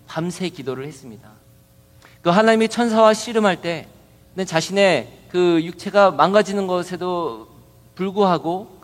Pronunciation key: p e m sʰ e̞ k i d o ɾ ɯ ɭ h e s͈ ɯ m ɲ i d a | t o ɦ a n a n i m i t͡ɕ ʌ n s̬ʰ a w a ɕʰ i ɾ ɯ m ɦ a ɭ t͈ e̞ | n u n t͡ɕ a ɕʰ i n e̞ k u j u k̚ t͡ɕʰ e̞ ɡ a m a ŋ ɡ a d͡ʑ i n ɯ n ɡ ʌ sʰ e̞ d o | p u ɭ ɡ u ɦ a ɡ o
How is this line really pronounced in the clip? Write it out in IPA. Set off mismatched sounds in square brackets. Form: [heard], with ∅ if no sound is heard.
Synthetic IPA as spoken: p [a] m sʰ e̞ k i d o ɾ ɯ ɭ h e s͈ ɯ m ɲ i d a | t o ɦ a n a [ɲ] i m i [t͡ɕʰ] ʌ n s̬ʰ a w a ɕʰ i ɾ ɯ m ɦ a ɭ t͈ e̞ | n [ɯ] n t͡ɕ a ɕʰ i n e̞ k [ɯ] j u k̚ t͡ɕʰ e̞ ɡ a m a ŋ ɡ a d͡ʑ i n ɯ n ɡ ʌ sʰ e̞ d o | p u ɭ ɡ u ɦ a ɡ o